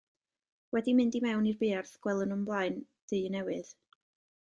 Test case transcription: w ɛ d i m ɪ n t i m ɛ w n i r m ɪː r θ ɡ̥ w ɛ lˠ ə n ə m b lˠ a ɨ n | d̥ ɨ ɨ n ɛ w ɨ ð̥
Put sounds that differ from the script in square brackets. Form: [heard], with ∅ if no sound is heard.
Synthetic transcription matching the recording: w ɛ d i m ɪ n [d] i m ɛ w n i r [b] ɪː r θ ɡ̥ w ɛ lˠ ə n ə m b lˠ a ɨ n | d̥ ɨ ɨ n ɛ w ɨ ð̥